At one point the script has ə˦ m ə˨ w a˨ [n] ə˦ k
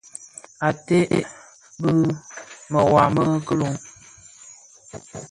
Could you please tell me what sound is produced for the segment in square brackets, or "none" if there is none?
m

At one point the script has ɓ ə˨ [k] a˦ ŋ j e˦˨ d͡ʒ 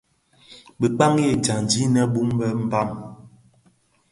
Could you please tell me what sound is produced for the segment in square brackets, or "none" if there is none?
k͡p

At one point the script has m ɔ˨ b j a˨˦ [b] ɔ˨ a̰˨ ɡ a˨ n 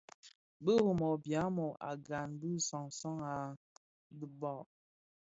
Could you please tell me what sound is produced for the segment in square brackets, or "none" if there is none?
m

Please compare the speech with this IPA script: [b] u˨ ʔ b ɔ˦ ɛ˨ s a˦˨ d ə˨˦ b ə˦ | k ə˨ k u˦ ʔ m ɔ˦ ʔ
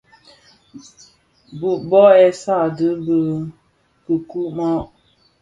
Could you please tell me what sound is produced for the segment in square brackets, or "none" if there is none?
b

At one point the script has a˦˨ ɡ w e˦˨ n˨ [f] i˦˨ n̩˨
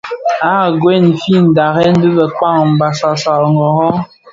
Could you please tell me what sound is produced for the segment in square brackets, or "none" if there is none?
f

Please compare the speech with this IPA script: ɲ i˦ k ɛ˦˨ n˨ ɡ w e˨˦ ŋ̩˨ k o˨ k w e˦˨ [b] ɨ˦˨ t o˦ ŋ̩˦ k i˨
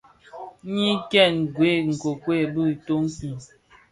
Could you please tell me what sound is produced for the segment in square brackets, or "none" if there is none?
b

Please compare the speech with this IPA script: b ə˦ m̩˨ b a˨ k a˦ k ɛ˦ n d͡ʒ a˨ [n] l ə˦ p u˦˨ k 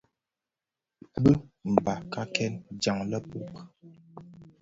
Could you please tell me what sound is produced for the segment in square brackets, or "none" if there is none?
ŋ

